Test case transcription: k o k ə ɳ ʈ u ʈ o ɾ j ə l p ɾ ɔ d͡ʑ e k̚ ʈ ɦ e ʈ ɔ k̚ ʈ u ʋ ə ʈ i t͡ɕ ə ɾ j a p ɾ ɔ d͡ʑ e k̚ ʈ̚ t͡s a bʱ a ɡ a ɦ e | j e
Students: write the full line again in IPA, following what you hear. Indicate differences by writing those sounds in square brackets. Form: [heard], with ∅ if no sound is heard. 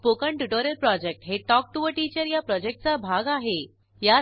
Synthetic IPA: [p] o k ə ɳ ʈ u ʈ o ɾ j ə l p ɾ ɔ d͡ʑ e k̚ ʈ ɦ e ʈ ɔ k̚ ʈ u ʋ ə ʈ i t͡ɕ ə ɾ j a p ɾ ɔ d͡ʑ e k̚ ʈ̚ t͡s a bʱ a ɡ a ɦ e | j [a]